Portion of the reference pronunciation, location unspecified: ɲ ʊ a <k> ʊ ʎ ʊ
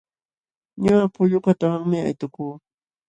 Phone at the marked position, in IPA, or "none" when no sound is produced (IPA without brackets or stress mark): p